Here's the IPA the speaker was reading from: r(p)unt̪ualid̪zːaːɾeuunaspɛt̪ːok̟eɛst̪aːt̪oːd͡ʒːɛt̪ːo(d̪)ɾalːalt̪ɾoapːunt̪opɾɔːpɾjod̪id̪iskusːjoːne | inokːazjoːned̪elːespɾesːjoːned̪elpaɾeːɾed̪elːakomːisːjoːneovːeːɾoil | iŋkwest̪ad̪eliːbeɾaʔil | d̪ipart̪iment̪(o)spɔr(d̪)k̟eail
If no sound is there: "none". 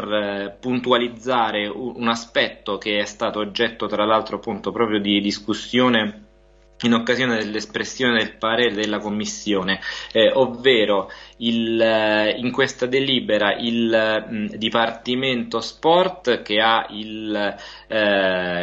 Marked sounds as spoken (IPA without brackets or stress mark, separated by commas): p, t̪, o, t̪